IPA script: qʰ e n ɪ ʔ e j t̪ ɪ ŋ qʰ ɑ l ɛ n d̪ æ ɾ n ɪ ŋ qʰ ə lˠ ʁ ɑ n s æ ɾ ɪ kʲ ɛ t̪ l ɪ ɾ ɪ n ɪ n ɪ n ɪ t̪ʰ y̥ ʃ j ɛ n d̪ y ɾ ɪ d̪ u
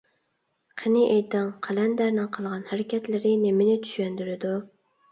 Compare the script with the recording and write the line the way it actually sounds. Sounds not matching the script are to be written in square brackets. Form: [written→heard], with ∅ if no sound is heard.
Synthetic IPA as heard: qʰ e n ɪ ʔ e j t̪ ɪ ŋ qʰ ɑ l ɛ n d̪ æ ɾ n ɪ ŋ qʰ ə lˠ ʁ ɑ n [s→h] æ ɾ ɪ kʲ ɛ t̪ l ɪ ɾ ɪ n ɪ [n→m] ɪ n ɪ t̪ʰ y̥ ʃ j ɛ n d̪ y ɾ ɪ d̪ u